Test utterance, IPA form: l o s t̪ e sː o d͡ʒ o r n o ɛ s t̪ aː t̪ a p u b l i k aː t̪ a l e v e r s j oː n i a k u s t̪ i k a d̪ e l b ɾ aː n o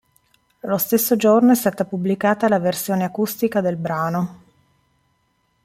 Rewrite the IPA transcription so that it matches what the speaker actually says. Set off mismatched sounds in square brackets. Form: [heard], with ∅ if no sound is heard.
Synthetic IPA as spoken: l o s t̪ e sː o d͡ʒ o r n o ɛ s t̪ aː t̪ a p u b l i k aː t̪ a l [a] v e r s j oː n [e] a k u s t̪ i k a d̪ e l b ɾ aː n o

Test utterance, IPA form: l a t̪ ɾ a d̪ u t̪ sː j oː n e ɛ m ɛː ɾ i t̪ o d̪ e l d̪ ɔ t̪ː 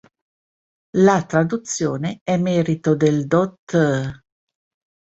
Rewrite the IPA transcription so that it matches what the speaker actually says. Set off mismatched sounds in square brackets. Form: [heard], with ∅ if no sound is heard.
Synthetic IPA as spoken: l a t̪ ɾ a d̪ u t̪ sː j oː n e ɛ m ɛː ɾ i t̪ o d̪ e l d̪ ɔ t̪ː

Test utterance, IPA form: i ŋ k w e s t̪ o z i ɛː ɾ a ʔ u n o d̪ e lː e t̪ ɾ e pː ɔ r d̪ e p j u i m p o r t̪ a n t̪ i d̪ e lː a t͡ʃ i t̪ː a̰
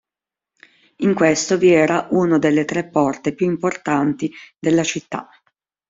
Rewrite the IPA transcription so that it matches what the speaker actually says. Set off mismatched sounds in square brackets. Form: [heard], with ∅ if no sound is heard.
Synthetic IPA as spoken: i ŋ k w e s t̪ o [v] i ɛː ɾ a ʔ u n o d̪ e lː e t̪ ɾ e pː ɔ r [t̪] e p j u i m p o r t̪ a n t̪ i d̪ e lː a t͡ʃ i t̪ː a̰

